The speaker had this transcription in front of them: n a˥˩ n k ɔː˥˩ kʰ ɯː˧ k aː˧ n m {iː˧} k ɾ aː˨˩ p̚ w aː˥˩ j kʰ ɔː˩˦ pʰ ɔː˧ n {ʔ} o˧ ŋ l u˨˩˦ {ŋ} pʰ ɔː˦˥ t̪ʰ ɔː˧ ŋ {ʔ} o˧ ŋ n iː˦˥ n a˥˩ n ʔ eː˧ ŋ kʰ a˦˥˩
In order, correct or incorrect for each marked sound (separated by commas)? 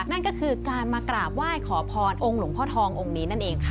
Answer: incorrect, correct, correct, correct